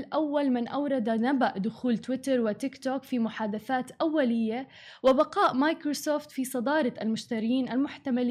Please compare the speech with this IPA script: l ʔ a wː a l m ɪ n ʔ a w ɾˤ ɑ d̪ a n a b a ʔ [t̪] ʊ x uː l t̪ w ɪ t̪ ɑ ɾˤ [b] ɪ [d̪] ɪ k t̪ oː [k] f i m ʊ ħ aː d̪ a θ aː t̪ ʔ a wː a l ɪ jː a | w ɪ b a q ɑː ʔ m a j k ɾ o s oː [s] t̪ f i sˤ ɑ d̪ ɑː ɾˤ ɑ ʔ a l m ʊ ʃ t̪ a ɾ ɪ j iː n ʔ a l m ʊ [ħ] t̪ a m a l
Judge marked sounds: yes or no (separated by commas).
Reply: no, no, no, yes, no, yes